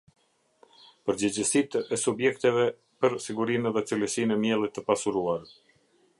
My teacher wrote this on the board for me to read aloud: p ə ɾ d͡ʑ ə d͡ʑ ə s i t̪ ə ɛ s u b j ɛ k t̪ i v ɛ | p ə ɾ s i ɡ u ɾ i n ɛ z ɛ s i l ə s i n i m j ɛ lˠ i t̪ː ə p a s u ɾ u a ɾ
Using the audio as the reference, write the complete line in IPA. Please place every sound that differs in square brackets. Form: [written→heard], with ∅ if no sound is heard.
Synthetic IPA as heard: p ə ɾ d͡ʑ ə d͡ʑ ə s i t̪ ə ɛ s u b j ɛ k t̪ [i→ɛ] v ɛ | p ə ɾ s i ɡ u ɾ i n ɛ [z→ð] ɛ [s→t͡s] i l ə s i n [i→ɛ] m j ɛ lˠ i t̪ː ə p a s u ɾ u a ɾ